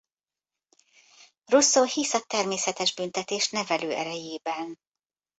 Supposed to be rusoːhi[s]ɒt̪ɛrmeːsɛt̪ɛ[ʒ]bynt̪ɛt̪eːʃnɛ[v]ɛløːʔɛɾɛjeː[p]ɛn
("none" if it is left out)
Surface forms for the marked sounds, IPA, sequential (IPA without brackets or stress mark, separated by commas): s, ʒ, v, b